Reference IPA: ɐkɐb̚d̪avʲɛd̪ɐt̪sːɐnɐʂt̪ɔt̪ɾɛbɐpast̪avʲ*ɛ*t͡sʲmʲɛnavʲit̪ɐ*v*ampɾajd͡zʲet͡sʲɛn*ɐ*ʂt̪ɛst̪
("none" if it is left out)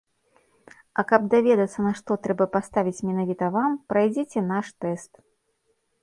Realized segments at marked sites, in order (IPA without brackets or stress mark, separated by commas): i, v, a